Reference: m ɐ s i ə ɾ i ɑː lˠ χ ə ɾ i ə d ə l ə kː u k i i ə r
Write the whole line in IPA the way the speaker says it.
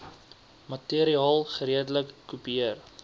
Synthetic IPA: m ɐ t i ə ɾ i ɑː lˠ χ ə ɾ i ə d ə l ə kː u p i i ə r